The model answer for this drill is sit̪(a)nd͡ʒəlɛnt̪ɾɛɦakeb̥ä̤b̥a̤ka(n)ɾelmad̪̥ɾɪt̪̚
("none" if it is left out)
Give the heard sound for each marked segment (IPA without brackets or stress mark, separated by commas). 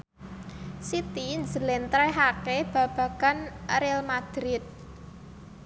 i, n